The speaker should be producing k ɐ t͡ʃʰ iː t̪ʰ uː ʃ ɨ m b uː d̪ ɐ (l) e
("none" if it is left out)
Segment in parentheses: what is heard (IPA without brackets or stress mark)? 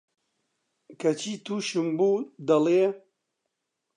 l